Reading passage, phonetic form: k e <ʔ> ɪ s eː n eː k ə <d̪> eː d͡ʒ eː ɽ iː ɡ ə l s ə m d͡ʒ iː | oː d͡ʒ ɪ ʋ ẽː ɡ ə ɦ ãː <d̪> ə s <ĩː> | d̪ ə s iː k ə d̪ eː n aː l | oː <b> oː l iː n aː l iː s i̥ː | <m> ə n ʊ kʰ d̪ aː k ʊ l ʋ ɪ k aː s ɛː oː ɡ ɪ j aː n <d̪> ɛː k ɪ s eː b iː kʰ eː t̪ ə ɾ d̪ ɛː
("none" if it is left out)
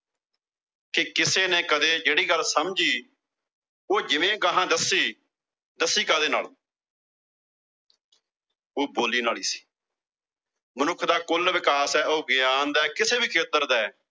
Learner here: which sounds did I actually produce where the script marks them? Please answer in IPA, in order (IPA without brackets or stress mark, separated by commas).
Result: k, d̪, d̪, iː, b, m, d̪